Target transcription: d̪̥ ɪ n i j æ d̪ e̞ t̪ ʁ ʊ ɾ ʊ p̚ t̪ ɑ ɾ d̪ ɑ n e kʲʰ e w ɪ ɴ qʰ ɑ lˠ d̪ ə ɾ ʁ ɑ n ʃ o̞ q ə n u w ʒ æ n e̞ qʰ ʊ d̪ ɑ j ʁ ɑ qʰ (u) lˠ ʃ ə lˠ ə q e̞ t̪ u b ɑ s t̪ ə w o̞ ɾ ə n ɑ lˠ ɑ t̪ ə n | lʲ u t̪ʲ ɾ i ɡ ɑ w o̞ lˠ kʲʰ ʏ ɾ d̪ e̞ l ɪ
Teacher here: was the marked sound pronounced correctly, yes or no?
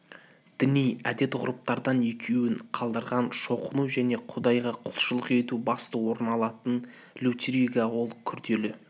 no